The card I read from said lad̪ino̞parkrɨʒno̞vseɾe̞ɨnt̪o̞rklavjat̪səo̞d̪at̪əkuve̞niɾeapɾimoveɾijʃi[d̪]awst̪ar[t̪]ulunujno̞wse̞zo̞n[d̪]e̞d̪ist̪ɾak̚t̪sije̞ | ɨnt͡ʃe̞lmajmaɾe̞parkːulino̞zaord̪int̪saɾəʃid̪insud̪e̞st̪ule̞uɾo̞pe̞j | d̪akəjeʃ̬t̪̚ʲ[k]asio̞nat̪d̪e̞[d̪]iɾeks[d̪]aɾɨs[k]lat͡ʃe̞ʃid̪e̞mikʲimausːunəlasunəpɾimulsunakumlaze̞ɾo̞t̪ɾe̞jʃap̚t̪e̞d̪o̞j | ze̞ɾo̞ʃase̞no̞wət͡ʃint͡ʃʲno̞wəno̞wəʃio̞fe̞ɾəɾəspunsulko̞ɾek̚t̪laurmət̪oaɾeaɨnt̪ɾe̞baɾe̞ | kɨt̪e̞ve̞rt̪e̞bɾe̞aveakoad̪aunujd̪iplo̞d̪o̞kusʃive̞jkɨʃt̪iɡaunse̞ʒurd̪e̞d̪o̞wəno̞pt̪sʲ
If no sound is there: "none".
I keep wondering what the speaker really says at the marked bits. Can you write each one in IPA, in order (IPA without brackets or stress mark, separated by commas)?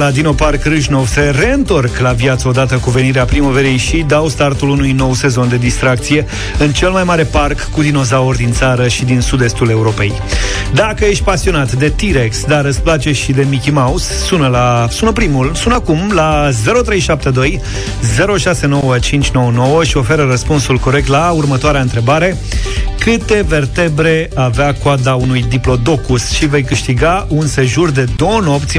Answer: d̪, t̪, d̪, p, t̪, d̪, p